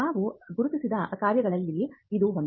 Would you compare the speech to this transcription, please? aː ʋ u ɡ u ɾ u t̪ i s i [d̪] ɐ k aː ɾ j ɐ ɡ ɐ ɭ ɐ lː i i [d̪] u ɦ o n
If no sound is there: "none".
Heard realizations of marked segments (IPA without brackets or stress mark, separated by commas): d̪, d̪